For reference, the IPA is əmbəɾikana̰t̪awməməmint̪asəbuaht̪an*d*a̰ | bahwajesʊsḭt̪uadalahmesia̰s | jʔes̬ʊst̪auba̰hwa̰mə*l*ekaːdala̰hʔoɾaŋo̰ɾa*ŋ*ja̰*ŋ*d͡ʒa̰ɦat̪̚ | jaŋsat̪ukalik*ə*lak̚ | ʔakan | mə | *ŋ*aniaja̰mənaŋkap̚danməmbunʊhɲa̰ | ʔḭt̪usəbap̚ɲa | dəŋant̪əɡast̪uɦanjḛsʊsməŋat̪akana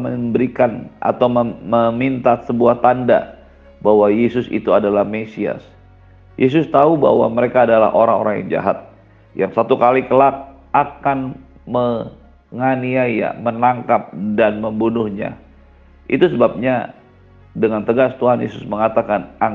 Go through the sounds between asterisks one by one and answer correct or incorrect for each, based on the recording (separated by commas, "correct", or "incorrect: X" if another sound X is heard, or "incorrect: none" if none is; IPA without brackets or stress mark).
correct, incorrect: ɾ, correct, correct, correct, correct